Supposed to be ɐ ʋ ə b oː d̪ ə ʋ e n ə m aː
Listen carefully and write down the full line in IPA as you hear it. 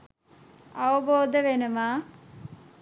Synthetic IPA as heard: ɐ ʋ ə b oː d̪ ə ʋ e n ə m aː